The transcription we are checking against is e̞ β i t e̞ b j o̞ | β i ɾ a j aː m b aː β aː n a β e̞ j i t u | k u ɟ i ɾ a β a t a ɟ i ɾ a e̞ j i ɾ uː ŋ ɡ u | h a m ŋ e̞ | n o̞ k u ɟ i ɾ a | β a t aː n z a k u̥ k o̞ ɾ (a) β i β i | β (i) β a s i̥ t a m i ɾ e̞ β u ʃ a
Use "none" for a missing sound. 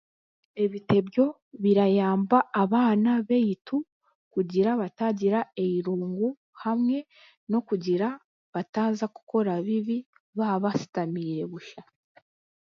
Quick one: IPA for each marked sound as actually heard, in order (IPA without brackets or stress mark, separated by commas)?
a, a